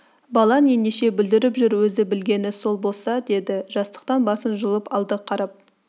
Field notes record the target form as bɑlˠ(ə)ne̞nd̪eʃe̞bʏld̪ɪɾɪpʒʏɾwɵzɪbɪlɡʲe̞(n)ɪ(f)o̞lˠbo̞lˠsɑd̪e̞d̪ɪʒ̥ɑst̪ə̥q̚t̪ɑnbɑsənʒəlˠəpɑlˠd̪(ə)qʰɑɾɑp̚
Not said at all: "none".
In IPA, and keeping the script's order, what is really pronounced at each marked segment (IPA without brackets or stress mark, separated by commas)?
ɑ, n, s, ə